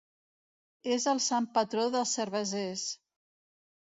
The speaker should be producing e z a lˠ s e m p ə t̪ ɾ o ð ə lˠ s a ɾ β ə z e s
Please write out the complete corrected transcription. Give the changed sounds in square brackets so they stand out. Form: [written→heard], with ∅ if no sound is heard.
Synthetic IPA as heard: e z [a→ə] lˠ s [e→a] m p ə t̪ ɾ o ð ə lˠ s [a→ə] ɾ β ə z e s